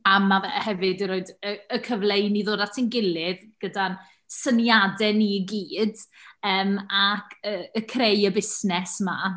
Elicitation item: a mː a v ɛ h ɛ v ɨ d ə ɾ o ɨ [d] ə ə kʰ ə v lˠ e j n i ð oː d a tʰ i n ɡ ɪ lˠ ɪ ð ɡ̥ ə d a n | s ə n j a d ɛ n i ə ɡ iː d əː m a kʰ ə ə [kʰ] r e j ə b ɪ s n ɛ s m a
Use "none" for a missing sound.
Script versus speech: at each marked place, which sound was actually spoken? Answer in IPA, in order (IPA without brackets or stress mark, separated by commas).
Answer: d, kʰ